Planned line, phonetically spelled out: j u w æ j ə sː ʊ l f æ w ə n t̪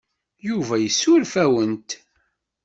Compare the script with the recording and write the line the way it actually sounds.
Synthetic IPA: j u v æ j ə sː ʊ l f æ w ə n t̪